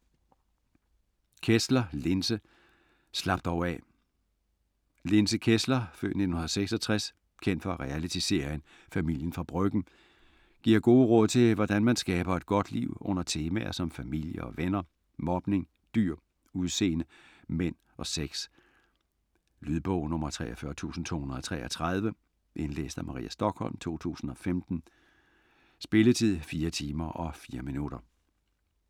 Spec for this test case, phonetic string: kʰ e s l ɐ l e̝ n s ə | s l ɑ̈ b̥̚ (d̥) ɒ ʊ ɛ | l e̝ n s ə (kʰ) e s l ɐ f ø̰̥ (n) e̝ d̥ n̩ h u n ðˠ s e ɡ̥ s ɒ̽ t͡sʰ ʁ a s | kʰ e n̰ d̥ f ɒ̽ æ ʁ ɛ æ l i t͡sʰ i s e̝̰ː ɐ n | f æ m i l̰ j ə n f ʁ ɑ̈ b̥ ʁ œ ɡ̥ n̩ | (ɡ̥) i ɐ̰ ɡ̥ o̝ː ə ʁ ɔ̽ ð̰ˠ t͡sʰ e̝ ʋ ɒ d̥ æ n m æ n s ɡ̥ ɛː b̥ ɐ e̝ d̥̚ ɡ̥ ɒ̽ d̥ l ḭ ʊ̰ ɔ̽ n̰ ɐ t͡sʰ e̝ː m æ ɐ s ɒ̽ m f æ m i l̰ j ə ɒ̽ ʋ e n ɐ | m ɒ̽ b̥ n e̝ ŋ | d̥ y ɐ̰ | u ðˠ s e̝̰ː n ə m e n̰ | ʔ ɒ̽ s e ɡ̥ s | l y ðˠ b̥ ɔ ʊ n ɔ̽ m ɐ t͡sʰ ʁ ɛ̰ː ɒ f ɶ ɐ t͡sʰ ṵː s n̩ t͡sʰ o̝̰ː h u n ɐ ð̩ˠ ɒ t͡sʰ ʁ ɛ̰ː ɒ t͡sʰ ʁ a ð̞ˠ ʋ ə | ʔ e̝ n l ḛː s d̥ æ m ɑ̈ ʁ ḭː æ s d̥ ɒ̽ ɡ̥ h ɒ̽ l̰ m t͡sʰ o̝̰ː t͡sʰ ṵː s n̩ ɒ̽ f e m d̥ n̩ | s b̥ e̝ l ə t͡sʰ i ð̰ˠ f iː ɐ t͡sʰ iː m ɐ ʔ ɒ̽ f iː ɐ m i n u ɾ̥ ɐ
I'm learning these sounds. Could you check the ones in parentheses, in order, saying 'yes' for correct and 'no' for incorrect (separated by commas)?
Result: yes, yes, yes, yes